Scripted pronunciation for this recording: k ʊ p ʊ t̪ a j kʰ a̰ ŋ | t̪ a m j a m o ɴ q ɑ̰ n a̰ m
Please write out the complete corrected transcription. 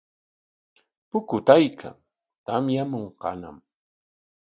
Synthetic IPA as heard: p ʊ k ʊ t̪ a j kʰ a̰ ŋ | t̪ a m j a m o ɴ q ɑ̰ n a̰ m